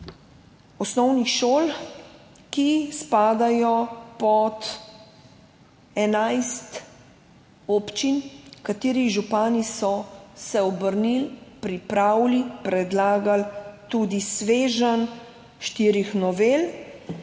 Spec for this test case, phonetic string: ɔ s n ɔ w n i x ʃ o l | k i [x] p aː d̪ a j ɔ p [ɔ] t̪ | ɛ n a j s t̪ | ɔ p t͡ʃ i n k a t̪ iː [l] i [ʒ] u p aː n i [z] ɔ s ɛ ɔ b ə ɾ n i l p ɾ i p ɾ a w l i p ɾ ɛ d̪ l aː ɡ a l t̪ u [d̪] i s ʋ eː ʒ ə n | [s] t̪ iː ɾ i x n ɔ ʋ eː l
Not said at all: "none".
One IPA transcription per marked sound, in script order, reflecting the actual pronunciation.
s, ɔ, ɾ, ʒ, s, d̪, ʃ

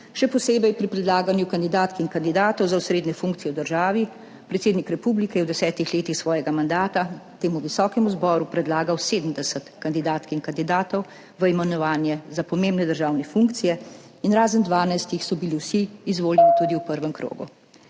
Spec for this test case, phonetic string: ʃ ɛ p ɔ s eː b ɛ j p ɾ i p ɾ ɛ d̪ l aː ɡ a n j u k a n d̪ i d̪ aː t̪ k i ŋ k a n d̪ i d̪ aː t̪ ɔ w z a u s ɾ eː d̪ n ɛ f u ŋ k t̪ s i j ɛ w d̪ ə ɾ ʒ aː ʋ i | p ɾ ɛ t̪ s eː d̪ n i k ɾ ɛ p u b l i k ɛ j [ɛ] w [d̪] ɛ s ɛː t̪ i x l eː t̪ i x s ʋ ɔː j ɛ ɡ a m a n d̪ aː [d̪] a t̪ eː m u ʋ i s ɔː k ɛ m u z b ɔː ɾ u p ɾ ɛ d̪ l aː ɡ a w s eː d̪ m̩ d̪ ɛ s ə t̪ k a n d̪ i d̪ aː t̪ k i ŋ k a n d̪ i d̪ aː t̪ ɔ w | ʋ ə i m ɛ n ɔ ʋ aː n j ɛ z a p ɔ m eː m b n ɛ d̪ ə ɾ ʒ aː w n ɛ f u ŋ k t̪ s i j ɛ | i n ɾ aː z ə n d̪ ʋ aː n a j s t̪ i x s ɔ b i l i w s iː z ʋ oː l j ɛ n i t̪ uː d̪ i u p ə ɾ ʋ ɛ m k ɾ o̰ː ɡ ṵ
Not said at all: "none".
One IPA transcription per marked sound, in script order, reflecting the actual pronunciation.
ɛ, d̪, t̪

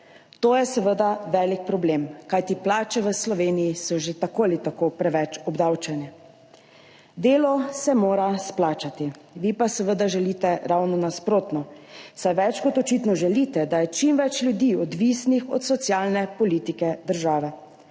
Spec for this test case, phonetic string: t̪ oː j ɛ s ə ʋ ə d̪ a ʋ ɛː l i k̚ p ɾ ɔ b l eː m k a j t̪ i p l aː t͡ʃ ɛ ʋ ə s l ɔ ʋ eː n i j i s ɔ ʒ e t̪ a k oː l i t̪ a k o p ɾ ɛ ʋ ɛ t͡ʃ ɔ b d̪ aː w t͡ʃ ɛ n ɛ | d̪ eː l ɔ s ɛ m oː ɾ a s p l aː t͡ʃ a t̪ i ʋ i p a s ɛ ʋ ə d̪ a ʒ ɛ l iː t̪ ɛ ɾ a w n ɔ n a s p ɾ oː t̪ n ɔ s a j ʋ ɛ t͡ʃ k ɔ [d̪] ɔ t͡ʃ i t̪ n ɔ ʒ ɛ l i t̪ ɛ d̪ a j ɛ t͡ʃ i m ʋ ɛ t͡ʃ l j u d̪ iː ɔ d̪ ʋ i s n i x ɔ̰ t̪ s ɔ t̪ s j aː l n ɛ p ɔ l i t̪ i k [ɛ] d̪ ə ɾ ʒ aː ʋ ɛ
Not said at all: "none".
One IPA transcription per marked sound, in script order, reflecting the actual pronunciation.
t̪, ɛ

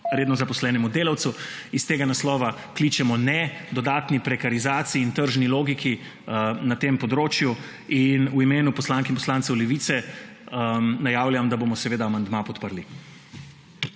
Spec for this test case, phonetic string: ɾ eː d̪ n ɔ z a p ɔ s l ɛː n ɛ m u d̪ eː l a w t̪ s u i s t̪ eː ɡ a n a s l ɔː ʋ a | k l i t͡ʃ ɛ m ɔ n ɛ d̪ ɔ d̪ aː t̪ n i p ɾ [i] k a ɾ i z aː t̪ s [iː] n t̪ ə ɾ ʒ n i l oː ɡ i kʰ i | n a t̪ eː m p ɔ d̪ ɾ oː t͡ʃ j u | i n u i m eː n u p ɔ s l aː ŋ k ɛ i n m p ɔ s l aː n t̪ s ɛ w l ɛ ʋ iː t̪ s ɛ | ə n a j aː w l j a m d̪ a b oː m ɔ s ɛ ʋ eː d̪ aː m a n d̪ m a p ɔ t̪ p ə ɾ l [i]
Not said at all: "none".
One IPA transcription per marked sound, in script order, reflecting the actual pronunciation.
ɛ, iː, i

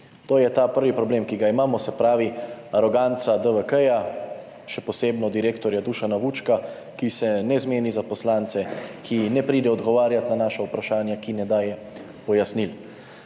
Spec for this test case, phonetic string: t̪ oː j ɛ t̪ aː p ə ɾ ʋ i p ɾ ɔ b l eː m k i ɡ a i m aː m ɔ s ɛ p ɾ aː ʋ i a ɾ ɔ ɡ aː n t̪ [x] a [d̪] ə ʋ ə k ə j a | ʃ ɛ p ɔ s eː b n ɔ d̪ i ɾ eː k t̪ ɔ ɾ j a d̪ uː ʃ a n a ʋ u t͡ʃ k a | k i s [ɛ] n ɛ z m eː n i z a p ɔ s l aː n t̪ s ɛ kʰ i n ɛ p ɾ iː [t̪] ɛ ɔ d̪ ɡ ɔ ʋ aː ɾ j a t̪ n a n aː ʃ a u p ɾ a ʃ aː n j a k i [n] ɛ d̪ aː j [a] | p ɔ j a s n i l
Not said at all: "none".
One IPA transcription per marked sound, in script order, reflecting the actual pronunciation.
s, d̪, ɛ, d̪, n, ɛ

